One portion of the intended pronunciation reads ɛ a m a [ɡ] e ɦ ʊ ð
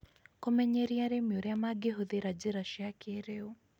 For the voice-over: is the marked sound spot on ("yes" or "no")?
yes